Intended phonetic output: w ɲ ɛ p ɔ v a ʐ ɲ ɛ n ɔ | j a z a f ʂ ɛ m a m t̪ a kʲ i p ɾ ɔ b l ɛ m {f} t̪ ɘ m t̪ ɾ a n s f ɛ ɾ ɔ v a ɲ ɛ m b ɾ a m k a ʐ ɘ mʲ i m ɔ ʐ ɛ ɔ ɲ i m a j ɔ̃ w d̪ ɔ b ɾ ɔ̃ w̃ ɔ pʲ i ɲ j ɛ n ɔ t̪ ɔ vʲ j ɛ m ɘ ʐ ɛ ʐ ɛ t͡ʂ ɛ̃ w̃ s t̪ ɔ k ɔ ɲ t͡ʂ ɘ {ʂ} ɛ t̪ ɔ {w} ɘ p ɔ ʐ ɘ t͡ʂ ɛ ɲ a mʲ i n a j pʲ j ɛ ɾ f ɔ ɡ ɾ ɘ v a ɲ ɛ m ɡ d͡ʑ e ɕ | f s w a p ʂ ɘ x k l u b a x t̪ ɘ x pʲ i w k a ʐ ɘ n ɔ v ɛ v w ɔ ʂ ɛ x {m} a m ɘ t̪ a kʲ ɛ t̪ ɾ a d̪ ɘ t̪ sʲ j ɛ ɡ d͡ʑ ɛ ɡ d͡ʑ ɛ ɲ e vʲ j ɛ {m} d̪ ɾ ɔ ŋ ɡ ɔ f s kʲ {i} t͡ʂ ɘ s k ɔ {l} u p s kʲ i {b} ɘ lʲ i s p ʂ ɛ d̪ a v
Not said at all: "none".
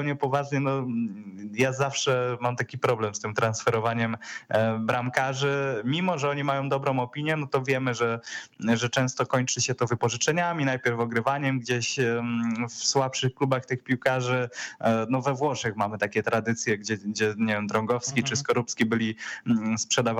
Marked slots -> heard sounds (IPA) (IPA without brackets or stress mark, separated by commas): s, ɕ, v, m, m, i, ɾ, b